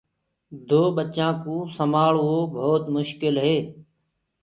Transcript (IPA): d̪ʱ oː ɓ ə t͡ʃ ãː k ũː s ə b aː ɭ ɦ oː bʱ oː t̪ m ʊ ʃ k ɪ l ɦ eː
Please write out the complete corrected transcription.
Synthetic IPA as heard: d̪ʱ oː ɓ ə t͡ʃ ãː k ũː s ə m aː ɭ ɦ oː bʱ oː t̪ m ʊ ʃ k ɪ l ɦ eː